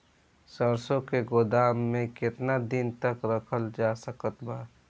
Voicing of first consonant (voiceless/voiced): voiceless